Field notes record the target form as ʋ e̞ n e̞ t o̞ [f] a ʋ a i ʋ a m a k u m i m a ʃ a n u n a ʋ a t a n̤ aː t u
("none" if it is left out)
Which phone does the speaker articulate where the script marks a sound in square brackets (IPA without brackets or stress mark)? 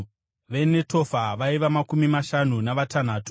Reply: f